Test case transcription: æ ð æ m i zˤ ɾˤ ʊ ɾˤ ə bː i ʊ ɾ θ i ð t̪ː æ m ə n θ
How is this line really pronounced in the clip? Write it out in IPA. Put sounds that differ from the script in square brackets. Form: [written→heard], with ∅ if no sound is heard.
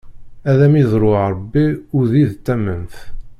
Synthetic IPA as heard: æ ð æ m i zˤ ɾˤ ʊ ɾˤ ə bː i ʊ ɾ [θ→ð] i ð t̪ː æ m ə n θ

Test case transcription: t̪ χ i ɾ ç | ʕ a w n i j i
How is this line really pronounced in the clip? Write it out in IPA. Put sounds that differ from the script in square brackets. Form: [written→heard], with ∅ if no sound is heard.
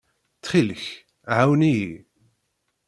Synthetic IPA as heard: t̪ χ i [ɾ→l] ç | ʕ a w n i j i

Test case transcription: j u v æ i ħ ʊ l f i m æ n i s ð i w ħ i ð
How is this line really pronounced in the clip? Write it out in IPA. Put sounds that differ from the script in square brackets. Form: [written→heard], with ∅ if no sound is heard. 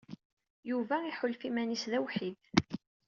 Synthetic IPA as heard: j u v æ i ħ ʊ l f i m æ n i s ð [i→æ] w ħ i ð

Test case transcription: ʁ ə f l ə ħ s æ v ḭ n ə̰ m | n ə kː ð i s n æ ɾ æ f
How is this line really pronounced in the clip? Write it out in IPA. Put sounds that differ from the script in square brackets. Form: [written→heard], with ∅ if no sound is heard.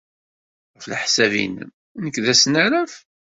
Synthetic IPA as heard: ʁ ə f l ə ħ s æ v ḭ n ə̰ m | n ə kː ð [i→æ] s n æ ɾ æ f

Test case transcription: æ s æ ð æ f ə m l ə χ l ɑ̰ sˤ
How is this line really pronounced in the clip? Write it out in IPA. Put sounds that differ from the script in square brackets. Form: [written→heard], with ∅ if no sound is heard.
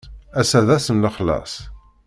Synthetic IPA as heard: æ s æ ð æ [f→s] ə [m→n] l ə χ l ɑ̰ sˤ

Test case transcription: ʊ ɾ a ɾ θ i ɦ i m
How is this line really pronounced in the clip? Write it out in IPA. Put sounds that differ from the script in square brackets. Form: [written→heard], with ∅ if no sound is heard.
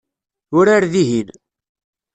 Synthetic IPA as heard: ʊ ɾ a ɾ [θ→ð] i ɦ i [m→n]

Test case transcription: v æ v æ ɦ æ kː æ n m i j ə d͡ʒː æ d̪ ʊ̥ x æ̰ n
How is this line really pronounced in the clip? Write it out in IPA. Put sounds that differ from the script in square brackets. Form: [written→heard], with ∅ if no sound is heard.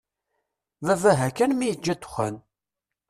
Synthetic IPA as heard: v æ v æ ɦ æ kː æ n m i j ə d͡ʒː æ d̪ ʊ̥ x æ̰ n

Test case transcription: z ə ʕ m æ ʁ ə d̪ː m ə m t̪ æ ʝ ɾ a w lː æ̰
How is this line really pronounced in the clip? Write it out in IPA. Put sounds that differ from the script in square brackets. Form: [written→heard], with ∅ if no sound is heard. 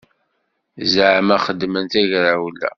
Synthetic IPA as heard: z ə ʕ m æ [ʁ→χ] ə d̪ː m ə [m→n] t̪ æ ʝ ɾ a w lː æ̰

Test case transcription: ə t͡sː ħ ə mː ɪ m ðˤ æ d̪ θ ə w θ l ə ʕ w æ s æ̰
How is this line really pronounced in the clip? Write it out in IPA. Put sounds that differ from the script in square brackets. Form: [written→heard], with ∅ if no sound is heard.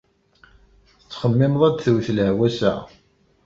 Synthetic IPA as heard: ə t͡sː [ħ→χ] ə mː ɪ m ðˤ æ d̪ θ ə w θ l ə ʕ w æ s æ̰

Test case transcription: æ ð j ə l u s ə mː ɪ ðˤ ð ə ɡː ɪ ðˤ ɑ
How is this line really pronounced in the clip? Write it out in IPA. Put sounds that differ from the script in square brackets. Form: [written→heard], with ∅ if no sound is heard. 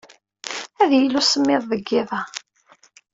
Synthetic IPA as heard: æ ð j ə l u s ə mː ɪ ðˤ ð ə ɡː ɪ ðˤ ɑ

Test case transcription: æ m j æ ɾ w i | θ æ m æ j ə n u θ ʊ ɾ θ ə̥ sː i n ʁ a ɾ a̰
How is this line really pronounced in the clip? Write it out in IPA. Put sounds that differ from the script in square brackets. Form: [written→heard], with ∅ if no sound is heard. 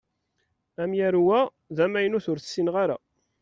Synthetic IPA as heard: æ m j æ ɾ w [i→æ] | [θ→ð] æ m æ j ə n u θ ʊ ɾ θ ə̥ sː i n ʁ a ɾ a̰

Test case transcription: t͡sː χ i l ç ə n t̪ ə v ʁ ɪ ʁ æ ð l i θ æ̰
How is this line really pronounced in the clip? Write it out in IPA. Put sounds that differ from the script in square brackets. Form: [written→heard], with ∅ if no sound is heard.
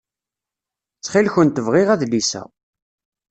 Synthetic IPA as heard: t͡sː χ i l ç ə n t̪ ə v ʁ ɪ ʁ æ ð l i [θ→s] æ̰

